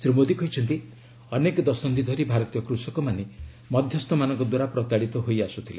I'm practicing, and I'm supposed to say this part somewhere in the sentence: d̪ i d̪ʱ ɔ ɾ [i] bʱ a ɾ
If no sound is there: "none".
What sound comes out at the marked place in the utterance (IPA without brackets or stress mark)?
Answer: i